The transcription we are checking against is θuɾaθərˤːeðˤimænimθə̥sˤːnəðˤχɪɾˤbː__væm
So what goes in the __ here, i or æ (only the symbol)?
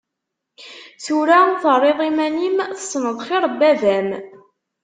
æ